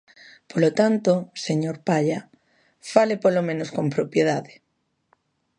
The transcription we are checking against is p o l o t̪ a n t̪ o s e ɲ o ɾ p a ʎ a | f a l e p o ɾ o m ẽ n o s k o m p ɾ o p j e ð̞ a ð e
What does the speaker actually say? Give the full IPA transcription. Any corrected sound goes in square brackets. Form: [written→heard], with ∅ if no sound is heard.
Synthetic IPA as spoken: p o l o t̪ a n t̪ o s e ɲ o ɾ p a ʎ a | f a l e p o [ɾ→l] o m ẽ n o s k o m p ɾ o p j e ð̞ a ð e